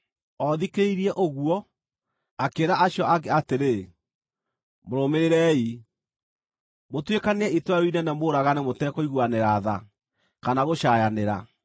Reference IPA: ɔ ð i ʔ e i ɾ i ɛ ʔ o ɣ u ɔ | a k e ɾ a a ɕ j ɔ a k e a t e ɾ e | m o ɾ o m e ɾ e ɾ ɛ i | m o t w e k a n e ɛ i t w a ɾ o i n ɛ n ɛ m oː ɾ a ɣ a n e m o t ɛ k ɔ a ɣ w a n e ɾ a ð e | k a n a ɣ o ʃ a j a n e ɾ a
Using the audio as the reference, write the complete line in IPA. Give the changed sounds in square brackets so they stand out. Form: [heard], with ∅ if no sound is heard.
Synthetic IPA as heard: ɔ ð i [k] e i ɾ i ɛ ʔ o ɣ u ɔ | a k e ɾ a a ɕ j ɔ a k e a t e ɾ e | m o ɾ o m e ɾ e ɾ ɛ i | m o t w e k a n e ɛ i t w a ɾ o i n ɛ n ɛ m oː ɾ a ɣ a n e m o t ɛ k ɔ [i] ɣ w a n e ɾ a ð [a] | k a n a ɣ o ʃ a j a n e ɾ a